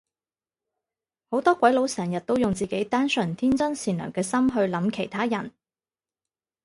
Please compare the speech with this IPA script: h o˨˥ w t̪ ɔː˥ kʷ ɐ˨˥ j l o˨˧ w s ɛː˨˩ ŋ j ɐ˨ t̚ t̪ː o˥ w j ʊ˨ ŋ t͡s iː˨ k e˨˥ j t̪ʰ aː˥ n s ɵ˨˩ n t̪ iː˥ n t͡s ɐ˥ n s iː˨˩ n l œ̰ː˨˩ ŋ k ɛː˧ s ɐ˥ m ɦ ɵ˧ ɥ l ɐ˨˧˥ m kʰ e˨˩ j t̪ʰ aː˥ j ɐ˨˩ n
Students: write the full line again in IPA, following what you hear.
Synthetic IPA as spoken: h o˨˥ w t̪ ɔː˥ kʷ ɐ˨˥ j l o˨˧ w s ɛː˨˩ ŋ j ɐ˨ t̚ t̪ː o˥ w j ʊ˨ ŋ t͡s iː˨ k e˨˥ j t̪ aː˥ n s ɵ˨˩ n t̪ʰ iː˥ n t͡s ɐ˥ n s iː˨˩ n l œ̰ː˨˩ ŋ k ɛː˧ s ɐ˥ m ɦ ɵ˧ ɥ l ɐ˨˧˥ m kʰ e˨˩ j t̪ʰ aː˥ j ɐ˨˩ n